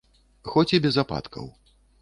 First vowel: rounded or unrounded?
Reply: rounded